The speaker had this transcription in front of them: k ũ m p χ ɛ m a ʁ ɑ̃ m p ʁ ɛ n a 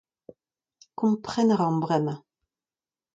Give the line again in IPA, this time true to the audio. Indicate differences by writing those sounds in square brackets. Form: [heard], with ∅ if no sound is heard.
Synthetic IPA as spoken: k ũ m p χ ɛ [n] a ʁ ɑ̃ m [b] ʁ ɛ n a